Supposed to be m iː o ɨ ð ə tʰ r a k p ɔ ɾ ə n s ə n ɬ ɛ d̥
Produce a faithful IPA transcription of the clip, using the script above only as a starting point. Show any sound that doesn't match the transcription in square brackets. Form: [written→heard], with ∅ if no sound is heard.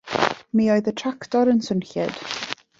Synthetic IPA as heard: m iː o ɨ ð ə tʰ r a k [p→t] ɔ ɾ ə n s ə n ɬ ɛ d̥